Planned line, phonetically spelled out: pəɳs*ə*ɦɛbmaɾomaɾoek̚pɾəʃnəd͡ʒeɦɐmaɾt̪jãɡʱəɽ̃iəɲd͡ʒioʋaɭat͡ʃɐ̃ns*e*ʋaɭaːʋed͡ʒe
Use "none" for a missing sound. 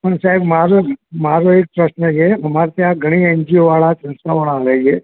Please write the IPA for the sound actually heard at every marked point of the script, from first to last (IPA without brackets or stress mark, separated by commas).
a, a